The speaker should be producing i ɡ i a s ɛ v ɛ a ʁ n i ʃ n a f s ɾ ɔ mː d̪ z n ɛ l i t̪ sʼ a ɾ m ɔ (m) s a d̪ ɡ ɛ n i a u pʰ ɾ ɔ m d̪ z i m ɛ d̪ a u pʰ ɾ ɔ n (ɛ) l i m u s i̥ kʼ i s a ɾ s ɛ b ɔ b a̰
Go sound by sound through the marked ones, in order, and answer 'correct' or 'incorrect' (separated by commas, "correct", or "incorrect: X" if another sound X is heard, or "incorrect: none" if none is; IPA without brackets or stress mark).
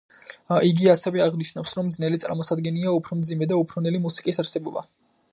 incorrect: none, correct